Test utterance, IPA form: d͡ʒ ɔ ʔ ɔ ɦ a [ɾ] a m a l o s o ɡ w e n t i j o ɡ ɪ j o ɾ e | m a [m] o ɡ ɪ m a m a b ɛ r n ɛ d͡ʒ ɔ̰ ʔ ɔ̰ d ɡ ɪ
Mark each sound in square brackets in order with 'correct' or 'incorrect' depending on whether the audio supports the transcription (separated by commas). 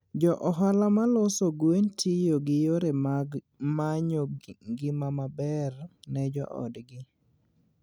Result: incorrect, incorrect